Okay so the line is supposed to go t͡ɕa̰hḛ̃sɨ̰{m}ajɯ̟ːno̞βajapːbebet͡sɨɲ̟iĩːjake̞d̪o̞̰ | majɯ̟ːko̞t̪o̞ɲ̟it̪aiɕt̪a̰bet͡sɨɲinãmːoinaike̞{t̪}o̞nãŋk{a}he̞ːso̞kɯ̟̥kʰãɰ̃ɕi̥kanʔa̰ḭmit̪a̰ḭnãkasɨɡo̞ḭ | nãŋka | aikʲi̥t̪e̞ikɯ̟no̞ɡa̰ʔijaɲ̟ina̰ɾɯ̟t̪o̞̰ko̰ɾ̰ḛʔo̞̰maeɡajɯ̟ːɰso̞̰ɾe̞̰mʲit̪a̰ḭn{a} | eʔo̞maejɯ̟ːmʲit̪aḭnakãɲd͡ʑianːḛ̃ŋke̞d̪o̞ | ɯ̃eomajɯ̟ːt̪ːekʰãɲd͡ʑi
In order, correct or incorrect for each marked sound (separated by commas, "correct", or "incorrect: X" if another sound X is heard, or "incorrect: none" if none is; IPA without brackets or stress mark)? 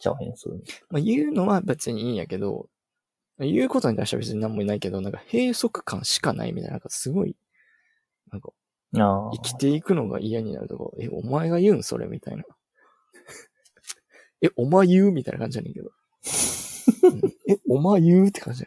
correct, incorrect: d̪, correct, correct